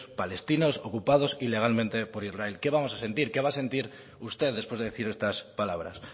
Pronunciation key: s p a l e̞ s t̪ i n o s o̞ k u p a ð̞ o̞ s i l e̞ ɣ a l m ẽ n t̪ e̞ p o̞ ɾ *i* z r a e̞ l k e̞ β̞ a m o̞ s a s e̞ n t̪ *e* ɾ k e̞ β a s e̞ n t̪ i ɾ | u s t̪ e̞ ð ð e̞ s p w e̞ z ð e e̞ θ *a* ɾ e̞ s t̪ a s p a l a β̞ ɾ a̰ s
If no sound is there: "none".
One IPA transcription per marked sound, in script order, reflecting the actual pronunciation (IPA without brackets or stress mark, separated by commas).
i, i, i